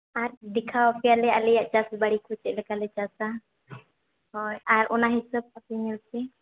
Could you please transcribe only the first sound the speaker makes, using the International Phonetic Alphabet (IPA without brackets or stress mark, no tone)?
a